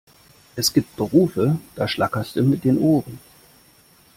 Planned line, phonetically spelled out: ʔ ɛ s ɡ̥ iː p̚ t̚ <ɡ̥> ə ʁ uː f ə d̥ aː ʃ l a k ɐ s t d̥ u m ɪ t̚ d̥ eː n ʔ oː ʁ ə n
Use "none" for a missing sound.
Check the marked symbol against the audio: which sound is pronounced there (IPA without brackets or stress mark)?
b̥